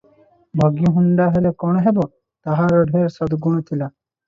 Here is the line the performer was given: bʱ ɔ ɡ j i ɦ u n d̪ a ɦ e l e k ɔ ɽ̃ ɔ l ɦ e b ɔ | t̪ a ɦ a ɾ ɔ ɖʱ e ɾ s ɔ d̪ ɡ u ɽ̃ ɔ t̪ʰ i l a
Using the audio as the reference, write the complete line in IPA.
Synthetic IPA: bʱ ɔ ɡ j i ɦ u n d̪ a ɦ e l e k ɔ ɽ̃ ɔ ɦ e b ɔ | t̪ a ɦ a ɾ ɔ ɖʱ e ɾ s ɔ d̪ ɡ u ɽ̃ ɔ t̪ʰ i l a